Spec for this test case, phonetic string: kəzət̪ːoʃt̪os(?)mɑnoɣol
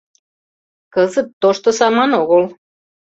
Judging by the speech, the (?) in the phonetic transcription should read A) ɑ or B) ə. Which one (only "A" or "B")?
A